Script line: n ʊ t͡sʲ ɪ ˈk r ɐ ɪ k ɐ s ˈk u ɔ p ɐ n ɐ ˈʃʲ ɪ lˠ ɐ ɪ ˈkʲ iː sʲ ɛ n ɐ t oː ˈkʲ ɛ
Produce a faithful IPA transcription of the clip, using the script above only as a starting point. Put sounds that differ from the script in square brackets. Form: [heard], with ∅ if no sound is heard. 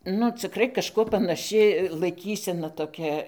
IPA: n ʊ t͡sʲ ɪ ˈk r ɐ ɪ k ɐ [ʃ] ˈk u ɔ p ɐ n ɐ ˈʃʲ ɪ lˠ ɐ ɪ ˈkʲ iː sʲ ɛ n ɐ t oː ˈkʲ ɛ